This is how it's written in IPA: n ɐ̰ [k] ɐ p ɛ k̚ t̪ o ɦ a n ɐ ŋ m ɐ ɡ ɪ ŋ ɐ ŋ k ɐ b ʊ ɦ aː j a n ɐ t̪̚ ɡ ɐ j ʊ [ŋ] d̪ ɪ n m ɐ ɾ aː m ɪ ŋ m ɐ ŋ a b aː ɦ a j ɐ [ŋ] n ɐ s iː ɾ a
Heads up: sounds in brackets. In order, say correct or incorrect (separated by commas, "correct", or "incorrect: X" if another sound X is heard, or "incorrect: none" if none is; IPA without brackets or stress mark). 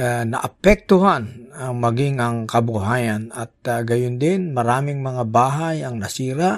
incorrect: ʔ, incorrect: n, correct